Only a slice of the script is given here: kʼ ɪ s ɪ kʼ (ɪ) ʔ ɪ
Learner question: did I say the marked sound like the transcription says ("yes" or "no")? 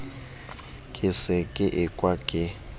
yes